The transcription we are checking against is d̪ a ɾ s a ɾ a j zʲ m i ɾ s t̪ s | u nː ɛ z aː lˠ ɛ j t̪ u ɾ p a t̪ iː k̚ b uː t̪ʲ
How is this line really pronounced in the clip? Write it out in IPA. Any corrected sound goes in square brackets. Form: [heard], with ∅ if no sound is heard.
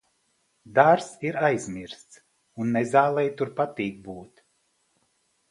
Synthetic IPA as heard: d̪ a ɾ s [i] ɾ a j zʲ m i ɾ s t̪ s | u nː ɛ z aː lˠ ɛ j t̪ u ɾ p a t̪ iː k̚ b uː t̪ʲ